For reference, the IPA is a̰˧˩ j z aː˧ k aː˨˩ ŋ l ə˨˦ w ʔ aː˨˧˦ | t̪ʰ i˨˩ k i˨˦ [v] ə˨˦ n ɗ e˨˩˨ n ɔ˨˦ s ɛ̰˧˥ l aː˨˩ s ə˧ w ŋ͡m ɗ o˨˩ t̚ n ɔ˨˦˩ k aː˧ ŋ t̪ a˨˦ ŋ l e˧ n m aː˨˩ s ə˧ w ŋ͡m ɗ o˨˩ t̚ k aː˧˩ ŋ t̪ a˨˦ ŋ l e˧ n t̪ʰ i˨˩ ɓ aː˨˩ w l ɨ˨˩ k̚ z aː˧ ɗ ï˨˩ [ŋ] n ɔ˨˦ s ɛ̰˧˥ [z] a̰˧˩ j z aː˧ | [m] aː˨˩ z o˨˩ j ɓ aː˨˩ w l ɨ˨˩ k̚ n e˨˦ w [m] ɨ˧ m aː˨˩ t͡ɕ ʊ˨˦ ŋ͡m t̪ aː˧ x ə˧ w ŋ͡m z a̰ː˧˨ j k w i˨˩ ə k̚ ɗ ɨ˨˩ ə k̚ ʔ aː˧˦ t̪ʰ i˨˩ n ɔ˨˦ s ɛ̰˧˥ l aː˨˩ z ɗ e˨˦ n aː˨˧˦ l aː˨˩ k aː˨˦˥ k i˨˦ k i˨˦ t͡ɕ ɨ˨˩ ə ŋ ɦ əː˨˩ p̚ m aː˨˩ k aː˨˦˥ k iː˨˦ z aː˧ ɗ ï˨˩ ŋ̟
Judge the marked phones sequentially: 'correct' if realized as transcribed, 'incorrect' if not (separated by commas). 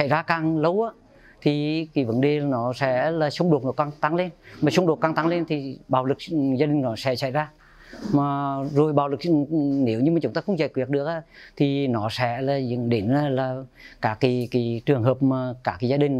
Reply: correct, correct, incorrect, correct, incorrect